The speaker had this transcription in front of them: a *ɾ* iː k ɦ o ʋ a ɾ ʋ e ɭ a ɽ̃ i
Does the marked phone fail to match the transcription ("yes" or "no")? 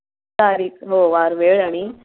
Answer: no